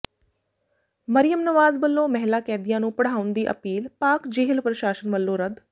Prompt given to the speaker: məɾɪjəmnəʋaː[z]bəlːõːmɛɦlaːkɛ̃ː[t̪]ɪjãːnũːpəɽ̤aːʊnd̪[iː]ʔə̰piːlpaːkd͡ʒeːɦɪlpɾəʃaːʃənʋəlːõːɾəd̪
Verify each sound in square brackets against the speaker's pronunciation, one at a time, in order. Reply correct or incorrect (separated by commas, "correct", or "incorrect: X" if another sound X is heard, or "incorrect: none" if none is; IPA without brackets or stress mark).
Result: correct, incorrect: d̪, correct